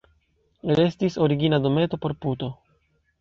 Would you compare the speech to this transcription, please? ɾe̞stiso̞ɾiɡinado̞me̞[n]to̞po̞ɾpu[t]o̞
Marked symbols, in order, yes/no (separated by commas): no, yes